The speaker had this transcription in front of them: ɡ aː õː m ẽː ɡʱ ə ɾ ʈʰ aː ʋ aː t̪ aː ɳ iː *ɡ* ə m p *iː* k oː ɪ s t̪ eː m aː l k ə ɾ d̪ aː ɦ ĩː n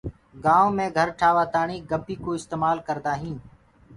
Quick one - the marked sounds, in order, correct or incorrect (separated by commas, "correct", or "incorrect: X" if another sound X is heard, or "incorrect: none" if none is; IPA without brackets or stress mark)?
correct, correct